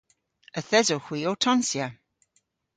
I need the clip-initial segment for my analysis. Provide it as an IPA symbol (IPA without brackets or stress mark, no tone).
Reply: ə